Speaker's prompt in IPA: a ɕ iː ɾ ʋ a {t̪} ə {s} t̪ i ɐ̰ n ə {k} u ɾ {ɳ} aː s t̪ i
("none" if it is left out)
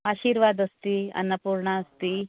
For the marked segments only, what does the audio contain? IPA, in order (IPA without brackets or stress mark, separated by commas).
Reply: d̪, s, p, ɳ